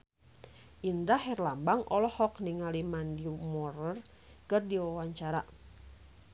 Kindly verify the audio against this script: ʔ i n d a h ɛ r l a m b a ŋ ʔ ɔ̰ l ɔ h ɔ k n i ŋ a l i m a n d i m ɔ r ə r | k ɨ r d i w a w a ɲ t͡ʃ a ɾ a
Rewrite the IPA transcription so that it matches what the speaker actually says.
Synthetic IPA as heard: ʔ i n d a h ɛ r l a m b a ŋ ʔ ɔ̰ l ɔ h ɔ k n i ŋ a l i m a n d i m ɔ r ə r | k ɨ r d i w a w a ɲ t͡ʃ a ɾ a